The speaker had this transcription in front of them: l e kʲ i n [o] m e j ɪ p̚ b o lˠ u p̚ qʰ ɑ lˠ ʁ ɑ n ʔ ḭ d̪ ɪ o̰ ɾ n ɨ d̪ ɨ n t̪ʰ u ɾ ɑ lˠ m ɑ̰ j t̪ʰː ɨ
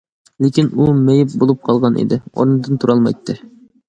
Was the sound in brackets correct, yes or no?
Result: no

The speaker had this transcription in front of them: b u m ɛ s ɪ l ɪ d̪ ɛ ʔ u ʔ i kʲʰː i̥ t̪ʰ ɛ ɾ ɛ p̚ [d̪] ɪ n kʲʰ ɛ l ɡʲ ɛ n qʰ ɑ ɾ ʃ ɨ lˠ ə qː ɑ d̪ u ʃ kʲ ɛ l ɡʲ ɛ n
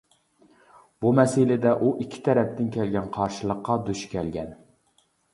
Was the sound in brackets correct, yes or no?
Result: no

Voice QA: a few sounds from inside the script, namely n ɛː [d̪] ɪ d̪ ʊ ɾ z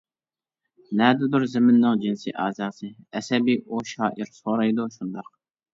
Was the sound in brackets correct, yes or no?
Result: yes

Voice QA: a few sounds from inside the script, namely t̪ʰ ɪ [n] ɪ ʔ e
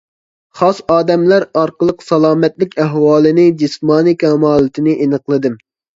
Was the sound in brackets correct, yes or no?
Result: yes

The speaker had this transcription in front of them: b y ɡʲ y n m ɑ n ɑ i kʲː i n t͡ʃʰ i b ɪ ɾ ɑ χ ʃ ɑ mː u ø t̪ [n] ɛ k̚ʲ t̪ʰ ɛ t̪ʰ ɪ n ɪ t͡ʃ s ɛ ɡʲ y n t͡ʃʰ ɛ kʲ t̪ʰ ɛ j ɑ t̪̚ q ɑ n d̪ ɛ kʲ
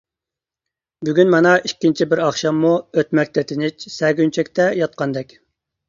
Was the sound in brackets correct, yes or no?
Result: no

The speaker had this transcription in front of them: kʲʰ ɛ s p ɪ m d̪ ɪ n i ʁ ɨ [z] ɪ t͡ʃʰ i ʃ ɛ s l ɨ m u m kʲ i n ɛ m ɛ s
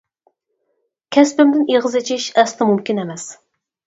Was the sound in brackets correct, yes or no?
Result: yes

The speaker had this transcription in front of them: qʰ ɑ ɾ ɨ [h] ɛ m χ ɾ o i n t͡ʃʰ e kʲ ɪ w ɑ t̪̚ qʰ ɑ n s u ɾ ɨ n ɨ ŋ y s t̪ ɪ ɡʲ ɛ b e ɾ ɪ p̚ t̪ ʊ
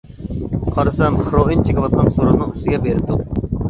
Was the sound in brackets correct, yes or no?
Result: no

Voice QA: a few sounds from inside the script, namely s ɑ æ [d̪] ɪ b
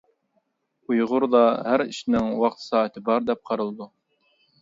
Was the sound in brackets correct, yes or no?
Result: no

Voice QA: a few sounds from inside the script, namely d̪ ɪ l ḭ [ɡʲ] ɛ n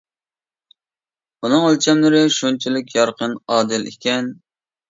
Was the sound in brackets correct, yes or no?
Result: no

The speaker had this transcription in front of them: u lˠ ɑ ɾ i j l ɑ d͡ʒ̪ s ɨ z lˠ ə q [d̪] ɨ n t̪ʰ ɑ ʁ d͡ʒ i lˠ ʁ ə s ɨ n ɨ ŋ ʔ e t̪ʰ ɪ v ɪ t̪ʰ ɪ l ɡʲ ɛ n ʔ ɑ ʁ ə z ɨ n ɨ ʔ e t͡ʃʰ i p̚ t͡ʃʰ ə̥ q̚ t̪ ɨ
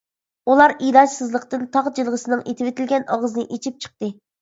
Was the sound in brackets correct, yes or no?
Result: no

